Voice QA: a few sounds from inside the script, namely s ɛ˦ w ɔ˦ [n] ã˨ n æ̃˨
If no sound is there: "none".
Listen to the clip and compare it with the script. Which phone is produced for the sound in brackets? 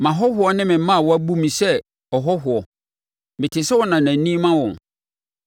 n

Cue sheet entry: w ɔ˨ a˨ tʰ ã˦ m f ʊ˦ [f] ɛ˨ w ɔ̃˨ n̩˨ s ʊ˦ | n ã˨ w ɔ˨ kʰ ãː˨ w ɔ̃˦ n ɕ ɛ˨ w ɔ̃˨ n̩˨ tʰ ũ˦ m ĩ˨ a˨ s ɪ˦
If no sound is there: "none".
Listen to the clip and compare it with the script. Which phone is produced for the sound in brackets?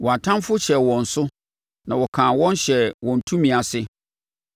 ɕ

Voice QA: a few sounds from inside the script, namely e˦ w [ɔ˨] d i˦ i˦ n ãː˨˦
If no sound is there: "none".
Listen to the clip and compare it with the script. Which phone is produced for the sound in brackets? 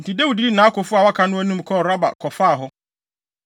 u˨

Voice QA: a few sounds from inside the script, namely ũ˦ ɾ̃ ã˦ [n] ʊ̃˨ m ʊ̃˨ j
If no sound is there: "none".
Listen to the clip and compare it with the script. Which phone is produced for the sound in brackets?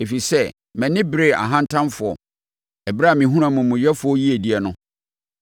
m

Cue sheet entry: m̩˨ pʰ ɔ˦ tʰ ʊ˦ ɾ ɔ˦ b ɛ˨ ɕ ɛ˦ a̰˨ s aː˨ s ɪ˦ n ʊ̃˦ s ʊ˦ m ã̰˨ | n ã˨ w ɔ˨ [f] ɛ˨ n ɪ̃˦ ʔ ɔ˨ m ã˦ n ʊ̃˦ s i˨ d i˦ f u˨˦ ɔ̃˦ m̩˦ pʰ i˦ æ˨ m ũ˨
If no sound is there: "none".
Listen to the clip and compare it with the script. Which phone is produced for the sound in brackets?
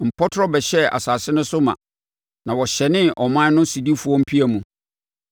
ɕ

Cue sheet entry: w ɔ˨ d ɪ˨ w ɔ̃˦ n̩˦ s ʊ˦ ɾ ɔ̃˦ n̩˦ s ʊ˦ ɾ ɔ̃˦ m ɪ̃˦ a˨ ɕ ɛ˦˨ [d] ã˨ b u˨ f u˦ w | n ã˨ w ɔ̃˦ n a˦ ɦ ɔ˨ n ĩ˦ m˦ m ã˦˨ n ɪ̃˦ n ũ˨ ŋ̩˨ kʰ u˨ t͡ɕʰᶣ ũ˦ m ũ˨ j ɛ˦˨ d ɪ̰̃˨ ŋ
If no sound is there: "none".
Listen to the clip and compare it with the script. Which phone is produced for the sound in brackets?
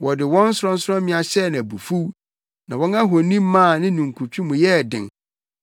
n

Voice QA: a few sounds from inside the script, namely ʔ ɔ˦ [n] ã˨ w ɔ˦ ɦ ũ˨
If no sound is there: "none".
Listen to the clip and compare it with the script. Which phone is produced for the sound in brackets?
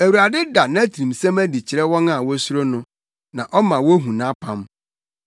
m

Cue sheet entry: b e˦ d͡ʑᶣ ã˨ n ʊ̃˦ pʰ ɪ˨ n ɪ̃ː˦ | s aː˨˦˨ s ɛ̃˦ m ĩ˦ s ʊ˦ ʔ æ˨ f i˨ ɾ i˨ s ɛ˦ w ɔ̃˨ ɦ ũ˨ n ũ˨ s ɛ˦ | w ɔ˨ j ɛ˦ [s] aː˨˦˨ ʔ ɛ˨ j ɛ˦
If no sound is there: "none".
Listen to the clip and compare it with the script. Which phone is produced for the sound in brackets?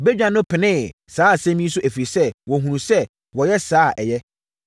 s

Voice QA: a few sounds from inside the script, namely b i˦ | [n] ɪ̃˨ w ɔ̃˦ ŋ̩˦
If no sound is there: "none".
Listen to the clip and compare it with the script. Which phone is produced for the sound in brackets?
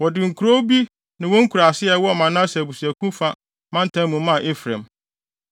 n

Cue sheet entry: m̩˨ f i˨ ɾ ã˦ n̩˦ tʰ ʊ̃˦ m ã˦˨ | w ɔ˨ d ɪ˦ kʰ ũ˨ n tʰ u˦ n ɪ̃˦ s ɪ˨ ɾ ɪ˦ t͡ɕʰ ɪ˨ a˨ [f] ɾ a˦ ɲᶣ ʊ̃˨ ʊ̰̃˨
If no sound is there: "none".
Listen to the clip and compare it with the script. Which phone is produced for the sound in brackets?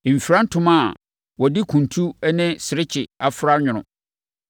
f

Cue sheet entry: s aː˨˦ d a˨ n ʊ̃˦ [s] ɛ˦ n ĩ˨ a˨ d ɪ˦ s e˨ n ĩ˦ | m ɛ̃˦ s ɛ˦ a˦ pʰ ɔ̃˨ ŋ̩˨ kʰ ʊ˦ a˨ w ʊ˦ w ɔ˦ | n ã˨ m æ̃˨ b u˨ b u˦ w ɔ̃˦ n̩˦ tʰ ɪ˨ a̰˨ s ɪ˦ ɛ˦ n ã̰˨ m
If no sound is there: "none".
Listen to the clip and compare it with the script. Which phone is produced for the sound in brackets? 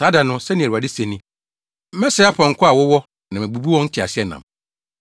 s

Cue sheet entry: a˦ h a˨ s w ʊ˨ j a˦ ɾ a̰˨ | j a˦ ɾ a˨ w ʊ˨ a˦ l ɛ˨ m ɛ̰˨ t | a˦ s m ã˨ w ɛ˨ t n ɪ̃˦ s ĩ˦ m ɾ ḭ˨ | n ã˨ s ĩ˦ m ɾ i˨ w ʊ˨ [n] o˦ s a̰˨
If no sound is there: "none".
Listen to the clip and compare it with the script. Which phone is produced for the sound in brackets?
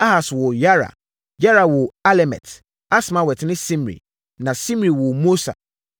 m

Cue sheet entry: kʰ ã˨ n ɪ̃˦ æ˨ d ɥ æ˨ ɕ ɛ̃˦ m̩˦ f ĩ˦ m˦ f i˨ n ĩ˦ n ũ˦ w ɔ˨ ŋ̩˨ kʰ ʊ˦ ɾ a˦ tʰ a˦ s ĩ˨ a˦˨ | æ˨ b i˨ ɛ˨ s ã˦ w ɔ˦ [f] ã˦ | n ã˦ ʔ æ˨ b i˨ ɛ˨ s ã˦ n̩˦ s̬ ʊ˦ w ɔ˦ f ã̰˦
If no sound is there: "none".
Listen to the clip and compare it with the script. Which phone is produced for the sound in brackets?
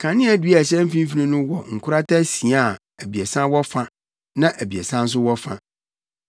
f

